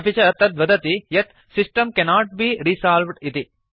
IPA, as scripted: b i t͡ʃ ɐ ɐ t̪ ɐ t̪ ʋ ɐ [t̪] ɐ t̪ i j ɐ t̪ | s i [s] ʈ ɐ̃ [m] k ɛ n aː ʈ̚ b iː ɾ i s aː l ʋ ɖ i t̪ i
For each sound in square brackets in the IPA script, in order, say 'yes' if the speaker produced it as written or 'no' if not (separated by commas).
no, yes, yes